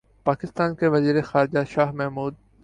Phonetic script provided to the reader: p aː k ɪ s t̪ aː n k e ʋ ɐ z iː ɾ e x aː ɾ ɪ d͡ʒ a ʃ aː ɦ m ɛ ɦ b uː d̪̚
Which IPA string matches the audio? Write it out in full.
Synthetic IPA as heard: p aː k ɪ s t̪ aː n k e ʋ ɐ z iː ɾ e x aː ɾ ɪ d͡ʒ a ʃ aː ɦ m ɛ ɦ m uː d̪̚

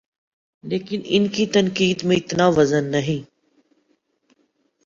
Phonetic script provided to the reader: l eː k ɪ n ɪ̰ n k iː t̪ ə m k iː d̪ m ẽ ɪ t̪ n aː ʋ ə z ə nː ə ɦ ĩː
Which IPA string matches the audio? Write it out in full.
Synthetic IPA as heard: l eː k ɪ n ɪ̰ n k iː t̪ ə n k iː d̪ m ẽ ɪ t̪ n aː ʋ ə z ə nː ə ɦ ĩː

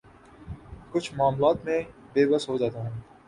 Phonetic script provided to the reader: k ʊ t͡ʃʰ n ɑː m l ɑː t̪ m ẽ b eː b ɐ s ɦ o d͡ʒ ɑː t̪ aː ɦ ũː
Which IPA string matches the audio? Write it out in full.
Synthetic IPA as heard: k ʊ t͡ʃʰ m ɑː m l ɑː t̪ m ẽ b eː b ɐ s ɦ o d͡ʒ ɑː t̪ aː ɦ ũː

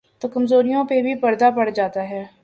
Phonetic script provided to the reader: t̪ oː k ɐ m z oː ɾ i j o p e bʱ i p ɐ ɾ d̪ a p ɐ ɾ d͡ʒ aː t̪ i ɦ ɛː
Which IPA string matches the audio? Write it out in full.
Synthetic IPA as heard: t̪ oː k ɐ m z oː ɾ i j õ p e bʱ i p ɐ ɾ d̪ a p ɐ ɽ d͡ʒ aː t̪ a ɦ ɛː

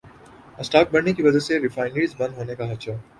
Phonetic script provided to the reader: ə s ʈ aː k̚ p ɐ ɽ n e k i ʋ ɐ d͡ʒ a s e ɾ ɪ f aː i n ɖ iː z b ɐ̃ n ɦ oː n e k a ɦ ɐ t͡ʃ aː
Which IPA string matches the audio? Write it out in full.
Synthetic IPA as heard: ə s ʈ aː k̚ b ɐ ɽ n e k i ʋ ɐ d͡ʒ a s e ɾ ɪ f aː ɪ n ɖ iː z b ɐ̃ n ɦ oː n e k a ɦ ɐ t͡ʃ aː

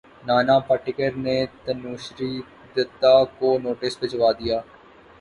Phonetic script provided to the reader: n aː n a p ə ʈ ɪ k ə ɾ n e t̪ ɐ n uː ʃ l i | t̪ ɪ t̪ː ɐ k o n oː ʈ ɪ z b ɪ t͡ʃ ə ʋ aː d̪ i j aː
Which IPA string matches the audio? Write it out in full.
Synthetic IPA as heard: n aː n a p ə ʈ ɪ k ə ɾ n e t̪ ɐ n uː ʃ ɾ i | d̪ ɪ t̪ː a k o n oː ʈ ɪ s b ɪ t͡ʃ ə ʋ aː d̪ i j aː

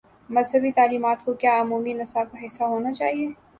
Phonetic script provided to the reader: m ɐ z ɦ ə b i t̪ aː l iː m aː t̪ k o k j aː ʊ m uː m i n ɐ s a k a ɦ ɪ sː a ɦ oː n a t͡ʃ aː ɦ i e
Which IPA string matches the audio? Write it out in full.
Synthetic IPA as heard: m ɐ z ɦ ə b i t̪ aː l iː m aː t̪ k o k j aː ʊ m uː m i n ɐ s a k a ɦ ɪ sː a ɦ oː n a t͡ʃ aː ɦ i e

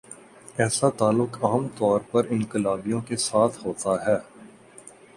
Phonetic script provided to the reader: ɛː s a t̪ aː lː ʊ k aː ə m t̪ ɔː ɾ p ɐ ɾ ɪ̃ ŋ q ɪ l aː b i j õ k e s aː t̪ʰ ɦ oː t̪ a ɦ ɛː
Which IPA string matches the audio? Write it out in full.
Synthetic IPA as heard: ɛː s a t̪ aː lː ʊ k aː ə m t̪ ɔː ɾ p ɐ ɾ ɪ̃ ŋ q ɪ l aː b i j õ k e s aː t̪ʰ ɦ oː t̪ a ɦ ɛː

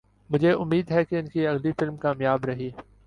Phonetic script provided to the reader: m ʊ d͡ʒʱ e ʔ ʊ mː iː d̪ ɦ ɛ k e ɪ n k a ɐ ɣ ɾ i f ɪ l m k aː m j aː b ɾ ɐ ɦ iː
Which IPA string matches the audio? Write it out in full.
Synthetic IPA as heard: m ʊ d͡ʒʱ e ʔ ʊ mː iː d̪ ɦ ɛ k e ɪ n k i ɐ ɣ l i f ɪ l m k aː m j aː b ɾ ɐ ɦ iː

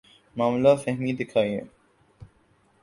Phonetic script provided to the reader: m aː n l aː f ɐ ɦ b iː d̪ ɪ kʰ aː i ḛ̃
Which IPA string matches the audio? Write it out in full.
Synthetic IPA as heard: m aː m l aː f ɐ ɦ m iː d̪ ɪ kʰ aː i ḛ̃

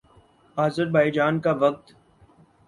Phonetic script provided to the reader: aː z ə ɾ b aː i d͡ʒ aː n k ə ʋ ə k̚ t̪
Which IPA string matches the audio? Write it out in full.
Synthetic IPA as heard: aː z ə ɾ b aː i d͡ʒ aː n k a ʋ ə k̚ t̪

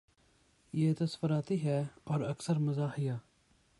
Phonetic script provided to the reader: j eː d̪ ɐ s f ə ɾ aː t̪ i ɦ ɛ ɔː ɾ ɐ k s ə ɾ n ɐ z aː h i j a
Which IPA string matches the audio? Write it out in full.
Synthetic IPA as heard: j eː t̪ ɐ s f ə ɾ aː t̪ i ɦ ɛ ɔː ɾ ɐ k s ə ɾ m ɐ z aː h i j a

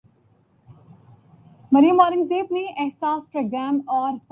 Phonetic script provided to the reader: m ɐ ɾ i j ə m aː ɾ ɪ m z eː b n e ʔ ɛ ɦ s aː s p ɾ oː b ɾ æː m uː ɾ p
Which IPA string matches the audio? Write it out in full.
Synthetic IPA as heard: m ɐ ɾ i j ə m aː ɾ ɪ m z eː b n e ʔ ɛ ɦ s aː s p ɾ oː ɡ ɾ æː m ɔː ɾ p

